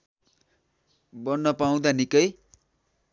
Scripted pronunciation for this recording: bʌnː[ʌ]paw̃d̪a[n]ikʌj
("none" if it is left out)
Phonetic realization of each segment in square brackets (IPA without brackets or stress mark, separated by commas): ʌ, n